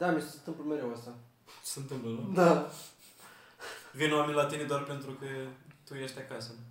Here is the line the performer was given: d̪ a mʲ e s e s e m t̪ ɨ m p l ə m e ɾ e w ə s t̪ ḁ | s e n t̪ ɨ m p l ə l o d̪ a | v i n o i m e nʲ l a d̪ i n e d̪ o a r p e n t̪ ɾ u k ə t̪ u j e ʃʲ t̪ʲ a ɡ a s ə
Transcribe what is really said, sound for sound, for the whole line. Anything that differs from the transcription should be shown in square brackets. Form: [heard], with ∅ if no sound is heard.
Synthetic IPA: d̪ a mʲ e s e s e [n] t̪ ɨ m p l ə m e ɾ e w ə s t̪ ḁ | s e n t̪ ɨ m p l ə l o d̪ a | v i n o [a] m e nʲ l a [t̪] i n e d̪ o a r p e n t̪ ɾ u k ə t̪ u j e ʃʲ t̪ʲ a [k] a s ə